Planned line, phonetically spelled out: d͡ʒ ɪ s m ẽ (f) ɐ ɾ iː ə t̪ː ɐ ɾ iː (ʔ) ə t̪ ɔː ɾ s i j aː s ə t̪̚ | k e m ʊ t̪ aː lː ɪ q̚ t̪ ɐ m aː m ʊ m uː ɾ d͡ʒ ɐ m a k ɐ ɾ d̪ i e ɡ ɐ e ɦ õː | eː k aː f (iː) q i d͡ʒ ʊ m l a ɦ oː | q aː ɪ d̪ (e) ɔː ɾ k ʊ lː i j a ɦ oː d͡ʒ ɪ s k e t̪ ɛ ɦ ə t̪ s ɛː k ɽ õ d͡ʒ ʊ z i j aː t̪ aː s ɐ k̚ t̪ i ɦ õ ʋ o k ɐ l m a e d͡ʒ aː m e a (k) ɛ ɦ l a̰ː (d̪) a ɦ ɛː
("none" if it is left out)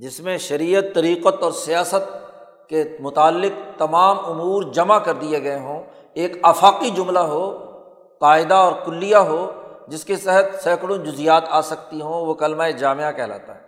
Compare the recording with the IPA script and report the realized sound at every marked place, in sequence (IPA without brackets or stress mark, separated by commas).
ʃ, q, aː, a, k, t̪